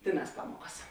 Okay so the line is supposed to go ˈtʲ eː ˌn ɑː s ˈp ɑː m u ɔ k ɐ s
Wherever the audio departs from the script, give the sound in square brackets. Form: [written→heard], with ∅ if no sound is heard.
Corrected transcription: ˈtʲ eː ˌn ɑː s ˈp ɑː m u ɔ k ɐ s